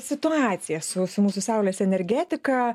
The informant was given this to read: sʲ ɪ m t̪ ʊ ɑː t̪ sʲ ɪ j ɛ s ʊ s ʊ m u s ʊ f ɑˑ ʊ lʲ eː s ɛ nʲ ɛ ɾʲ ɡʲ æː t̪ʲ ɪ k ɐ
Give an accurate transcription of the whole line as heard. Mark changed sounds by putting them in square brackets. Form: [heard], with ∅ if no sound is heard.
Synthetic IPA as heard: sʲ ɪ [∅] t̪ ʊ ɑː t̪ sʲ ɪ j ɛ s ʊ s ʊ m [uː] s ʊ [s] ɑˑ ʊ lʲ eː s ɛ nʲ ɛ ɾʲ ɡʲ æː t̪ʲ ɪ k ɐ